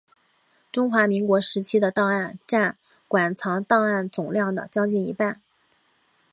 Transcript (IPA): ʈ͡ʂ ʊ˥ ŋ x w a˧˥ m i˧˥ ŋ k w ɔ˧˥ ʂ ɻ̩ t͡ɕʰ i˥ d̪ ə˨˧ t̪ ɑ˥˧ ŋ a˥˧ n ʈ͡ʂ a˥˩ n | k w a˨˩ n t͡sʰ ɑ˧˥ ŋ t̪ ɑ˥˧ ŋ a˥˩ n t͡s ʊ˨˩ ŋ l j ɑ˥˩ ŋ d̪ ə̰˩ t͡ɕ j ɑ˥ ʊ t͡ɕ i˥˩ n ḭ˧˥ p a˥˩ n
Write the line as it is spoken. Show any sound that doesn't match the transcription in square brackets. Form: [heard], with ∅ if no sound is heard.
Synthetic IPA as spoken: ʈ͡ʂ ʊ˥ ŋ x w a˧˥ m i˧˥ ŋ k w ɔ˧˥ ʂ ɻ̩ t͡ɕʰ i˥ d̪ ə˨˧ t̪ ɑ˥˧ ŋ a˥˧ n ʈ͡ʂ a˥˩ n | k w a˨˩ n t͡sʰ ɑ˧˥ ŋ t̪ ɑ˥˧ ŋ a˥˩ n t͡s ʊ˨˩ ŋ l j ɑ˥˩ ŋ d̪ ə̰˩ t͡ɕ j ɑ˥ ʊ t͡ɕ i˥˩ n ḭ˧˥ p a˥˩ n